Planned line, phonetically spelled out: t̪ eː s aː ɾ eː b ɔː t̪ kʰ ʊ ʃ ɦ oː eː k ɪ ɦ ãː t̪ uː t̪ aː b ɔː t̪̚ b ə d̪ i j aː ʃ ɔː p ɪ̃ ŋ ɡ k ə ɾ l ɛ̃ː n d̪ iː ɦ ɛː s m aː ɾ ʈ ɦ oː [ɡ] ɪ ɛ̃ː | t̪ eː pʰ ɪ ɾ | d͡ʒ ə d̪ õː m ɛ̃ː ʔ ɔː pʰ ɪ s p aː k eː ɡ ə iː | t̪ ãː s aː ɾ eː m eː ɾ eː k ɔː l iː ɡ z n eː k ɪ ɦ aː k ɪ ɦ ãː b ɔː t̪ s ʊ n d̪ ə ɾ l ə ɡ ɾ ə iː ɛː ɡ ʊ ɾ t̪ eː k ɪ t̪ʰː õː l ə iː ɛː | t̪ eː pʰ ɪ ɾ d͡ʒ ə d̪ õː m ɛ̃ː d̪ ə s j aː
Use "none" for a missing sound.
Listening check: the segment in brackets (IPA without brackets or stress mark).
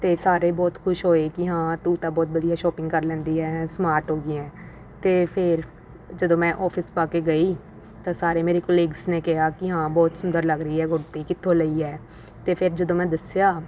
ɡ